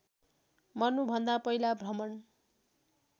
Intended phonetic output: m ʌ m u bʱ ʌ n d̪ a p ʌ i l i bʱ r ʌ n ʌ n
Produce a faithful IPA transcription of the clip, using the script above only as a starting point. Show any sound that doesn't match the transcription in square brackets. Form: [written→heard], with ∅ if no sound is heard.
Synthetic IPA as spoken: m ʌ [m→n] u bʱ ʌ n d̪ a p ʌ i l [i→a] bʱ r ʌ [n→m] ʌ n